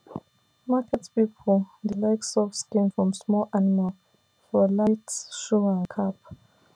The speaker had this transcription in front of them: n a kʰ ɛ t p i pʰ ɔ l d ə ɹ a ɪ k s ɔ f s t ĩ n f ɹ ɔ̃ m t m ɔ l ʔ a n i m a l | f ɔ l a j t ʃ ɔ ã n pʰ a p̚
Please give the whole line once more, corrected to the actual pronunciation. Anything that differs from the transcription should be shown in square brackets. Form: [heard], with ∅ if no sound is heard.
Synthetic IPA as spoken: [m] a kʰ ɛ t p i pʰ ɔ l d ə [l] a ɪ k s ɔ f s [k] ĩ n f ɹ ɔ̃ m [s] m ɔ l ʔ a n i m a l | f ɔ l a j t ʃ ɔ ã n [kʰ] a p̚